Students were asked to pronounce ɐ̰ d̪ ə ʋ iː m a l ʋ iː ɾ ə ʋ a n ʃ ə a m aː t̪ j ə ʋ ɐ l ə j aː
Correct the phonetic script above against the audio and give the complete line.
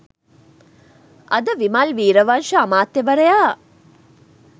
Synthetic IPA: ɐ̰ d̪ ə ʋ i m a l ʋ iː ɾ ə ʋ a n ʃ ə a m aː t̪ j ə ʋ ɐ ɾ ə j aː